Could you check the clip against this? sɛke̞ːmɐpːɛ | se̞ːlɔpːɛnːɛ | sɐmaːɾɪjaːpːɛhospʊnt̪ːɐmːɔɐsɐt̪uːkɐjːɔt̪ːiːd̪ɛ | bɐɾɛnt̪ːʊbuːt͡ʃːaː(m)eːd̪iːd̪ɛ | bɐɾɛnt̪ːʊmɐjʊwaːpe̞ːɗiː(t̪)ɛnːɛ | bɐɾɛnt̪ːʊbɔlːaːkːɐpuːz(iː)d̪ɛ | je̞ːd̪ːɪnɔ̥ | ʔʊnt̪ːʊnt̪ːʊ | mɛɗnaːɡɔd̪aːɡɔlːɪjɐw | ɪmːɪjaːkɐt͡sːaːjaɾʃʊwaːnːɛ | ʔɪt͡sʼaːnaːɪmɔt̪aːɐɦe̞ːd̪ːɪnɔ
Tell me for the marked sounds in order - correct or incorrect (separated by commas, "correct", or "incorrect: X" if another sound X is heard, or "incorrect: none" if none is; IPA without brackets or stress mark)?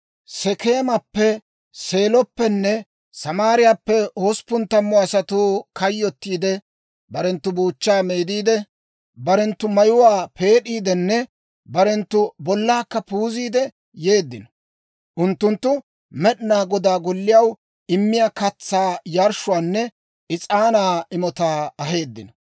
correct, incorrect: d̪, correct